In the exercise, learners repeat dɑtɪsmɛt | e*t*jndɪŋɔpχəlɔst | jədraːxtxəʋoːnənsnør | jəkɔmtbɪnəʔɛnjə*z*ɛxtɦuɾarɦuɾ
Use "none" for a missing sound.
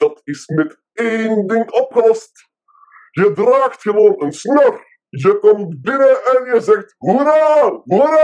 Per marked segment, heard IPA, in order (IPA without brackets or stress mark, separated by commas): none, z